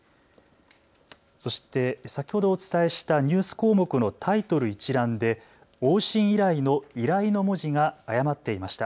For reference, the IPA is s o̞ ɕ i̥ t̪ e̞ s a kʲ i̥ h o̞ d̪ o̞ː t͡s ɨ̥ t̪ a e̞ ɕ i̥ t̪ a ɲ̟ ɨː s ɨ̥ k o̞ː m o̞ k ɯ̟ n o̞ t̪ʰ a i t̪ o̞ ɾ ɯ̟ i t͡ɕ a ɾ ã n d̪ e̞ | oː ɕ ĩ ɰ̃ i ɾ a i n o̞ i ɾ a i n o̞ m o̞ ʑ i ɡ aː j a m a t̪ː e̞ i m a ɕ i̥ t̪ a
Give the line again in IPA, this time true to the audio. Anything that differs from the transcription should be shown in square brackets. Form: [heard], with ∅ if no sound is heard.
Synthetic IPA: s o̞ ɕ i̥ t̪ e̞ s a kʲ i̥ h o̞ d̪ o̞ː t͡s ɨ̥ t̪ a e̞ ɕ i̥ t̪ a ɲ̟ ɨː s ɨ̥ k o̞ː m o̞ k ɯ̟ n o̞ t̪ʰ a i t̪ o̞ ɾ ɯ̟ i t͡ɕ [i] ɾ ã n d̪ e̞ | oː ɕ ĩ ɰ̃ i ɾ a i n o̞ i ɾ a i n o̞ m o̞ ʑ i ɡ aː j a m a t̪ː e̞ i m a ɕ i̥ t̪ a

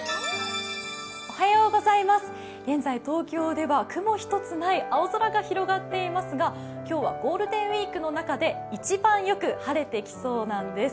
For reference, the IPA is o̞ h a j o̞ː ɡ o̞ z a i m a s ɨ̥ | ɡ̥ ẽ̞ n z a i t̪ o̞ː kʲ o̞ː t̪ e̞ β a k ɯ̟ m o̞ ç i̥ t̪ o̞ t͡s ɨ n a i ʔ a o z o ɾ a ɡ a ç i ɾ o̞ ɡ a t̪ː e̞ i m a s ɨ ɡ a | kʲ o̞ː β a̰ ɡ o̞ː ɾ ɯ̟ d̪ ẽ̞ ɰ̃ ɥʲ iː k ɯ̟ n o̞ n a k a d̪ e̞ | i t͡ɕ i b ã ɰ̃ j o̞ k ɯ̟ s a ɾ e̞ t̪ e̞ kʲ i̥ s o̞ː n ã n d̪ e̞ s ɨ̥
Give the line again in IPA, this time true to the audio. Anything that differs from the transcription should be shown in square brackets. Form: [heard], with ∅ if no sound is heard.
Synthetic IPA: o̞ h a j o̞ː ɡ o̞ z a i m a s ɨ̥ | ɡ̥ ẽ̞ n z a i t̪ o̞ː kʲ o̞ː [d̪] e̞ β a k ɯ̟ m o̞ ç i̥ t̪ o̞ t͡s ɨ n a i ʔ a o z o ɾ a ɡ a ç i ɾ o̞ ɡ a t̪ː e̞ i m a s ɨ ɡ a | kʲ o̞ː β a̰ ɡ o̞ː ɾ ɯ̟ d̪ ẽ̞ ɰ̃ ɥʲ iː k ɯ̟ n o̞ n a k a d̪ e̞ | i t͡ɕ i b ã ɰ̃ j o̞ k ɯ̟ [h] a ɾ e̞ t̪ e̞ kʲ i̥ s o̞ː n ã n d̪ e̞ s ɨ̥

